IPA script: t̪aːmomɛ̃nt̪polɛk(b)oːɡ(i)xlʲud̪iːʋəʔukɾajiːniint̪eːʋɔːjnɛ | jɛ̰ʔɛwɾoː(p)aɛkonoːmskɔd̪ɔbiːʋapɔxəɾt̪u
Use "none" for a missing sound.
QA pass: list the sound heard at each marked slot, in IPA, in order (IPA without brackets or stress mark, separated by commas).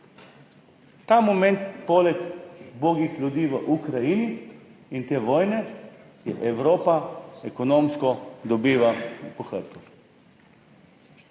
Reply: b, i, p